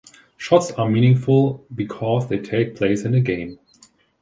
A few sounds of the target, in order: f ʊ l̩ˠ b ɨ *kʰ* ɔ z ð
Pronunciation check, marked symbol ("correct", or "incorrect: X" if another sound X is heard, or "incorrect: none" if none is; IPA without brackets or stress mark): correct